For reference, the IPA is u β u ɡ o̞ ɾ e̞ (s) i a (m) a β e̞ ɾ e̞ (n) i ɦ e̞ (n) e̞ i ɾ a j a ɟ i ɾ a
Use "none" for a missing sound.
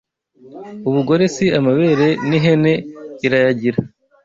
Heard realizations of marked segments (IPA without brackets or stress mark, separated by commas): s, m, n, n